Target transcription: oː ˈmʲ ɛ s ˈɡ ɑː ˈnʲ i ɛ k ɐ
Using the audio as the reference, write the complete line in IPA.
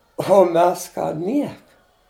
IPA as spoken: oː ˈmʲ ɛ s ˈk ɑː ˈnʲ i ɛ k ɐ